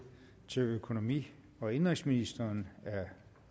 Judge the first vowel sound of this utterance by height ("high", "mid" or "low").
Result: mid